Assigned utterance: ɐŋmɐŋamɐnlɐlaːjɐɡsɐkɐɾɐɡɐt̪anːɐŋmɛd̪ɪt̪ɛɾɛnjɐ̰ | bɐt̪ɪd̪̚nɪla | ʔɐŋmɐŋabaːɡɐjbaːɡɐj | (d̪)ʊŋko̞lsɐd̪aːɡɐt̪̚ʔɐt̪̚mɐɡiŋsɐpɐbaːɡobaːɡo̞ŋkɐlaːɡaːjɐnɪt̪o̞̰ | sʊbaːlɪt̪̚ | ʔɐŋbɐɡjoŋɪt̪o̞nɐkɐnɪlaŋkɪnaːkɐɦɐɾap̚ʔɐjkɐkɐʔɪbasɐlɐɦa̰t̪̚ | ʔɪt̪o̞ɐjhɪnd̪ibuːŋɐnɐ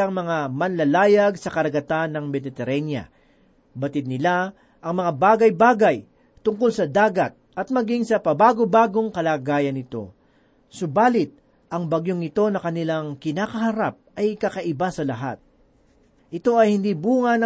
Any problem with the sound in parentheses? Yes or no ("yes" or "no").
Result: yes